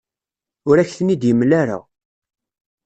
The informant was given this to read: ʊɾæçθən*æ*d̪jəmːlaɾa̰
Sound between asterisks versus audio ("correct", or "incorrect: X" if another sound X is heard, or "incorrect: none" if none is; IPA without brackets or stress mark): incorrect: i